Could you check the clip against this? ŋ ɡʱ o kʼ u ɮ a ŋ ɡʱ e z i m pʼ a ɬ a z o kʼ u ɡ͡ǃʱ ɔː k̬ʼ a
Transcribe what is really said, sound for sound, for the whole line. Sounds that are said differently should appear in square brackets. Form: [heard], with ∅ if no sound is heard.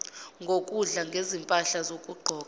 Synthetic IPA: ŋ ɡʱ o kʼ u ɮ a ŋ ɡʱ e z i m pʼ a ɬ a z o kʼ u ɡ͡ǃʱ ɔː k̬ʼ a